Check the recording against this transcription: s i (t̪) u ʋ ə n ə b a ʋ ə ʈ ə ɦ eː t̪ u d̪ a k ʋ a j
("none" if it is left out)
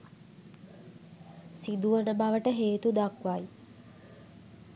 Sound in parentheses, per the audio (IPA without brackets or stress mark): d̪